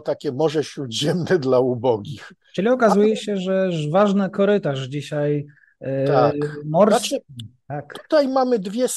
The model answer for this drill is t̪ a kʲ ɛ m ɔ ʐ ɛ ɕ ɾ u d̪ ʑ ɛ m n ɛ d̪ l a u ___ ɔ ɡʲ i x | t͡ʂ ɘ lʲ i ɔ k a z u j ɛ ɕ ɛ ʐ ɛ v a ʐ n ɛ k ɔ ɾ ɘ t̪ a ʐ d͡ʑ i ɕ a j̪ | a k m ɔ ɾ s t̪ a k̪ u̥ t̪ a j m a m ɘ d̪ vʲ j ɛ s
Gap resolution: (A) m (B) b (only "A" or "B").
B